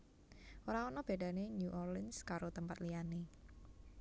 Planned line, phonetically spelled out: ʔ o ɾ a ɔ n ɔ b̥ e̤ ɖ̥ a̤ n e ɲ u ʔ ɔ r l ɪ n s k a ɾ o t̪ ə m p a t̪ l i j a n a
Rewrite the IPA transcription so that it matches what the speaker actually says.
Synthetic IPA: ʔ o ɾ a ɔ n ɔ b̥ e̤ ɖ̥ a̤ n e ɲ u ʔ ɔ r l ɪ n s k a ɾ o t̪ ə m p a t̪ l i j a n e